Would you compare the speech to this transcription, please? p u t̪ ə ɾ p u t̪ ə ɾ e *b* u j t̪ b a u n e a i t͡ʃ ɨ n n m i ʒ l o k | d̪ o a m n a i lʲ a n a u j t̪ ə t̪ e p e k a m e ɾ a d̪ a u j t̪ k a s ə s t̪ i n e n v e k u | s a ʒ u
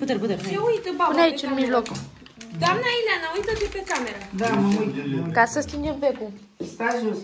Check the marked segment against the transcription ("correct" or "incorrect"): incorrect